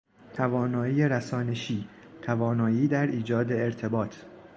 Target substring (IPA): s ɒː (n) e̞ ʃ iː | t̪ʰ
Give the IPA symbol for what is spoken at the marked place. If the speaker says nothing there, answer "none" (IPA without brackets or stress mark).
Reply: n